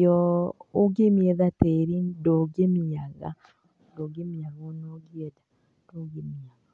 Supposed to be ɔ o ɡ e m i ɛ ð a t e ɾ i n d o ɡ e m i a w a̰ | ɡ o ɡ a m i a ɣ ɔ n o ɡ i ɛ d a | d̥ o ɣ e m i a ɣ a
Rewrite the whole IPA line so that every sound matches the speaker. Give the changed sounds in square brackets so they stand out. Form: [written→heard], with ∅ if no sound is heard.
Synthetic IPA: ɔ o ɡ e m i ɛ ð a t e ɾ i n d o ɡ e m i a [w→ɣ] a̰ | [ɡ→d] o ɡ [a→e] m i a ɣ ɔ n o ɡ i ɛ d a | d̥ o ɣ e m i a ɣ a